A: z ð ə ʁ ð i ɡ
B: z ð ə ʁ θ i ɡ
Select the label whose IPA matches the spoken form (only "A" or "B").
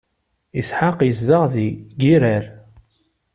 A